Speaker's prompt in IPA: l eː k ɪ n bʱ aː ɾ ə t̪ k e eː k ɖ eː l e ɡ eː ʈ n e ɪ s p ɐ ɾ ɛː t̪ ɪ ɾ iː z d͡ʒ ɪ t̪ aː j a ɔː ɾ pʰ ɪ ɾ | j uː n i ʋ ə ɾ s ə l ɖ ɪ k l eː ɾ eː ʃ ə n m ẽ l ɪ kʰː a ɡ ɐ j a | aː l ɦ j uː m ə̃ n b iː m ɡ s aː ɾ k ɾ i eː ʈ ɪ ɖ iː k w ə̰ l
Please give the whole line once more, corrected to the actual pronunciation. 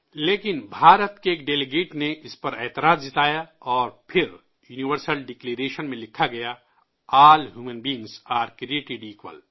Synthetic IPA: l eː k ɪ n bʱ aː ɾ ə t̪ k e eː k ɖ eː l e ɡ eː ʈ n e ɪ s p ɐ ɾ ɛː t̪ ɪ ɾ aː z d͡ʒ ɪ t̪ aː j a ɔː ɾ pʰ ɪ ɾ | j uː n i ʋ ə ɾ s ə l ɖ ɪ k l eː ɾ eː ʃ ə n m ẽ l ɪ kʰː a ɡ ɐ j a | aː l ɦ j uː m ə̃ n b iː ŋ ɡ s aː ɾ k ɾ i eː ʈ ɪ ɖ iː k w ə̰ l